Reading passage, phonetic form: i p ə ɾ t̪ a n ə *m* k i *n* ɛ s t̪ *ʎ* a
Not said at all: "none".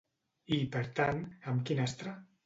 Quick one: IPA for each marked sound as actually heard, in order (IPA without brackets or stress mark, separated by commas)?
m, n, ɾ